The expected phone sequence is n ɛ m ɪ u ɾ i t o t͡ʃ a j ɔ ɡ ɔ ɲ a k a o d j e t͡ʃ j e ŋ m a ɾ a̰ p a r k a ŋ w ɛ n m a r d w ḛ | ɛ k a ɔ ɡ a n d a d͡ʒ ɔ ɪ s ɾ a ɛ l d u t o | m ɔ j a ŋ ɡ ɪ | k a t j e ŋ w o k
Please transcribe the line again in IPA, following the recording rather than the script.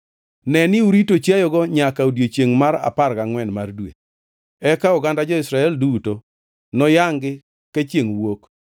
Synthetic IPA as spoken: n ɛ n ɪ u ɾ i t o t͡ʃ a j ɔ ɡ ɔ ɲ a k a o d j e t͡ʃ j e ŋ m a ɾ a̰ p a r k a ŋ w ɛ n m a r d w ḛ | ɛ k a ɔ ɡ a n d a d͡ʒ ɔ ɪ s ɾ a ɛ l d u t o | n ɔ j a ŋ ɡ ɪ | k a t͡ʃ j e ŋ w o k